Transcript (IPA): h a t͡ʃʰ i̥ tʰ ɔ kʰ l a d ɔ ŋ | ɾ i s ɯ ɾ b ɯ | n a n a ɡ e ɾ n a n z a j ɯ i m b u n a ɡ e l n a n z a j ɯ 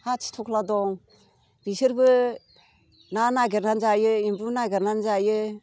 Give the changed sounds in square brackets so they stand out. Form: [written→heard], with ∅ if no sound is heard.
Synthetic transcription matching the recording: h a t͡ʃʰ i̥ tʰ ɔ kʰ l a d ɔ ŋ | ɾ i s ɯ ɾ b ɯ | n a n a ɡ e ɾ n a n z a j ɯ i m b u n a ɡ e [l→ɾ] n a n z a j ɯ